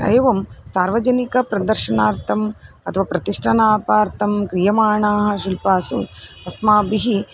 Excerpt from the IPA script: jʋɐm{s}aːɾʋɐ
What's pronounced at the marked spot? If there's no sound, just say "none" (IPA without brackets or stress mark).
s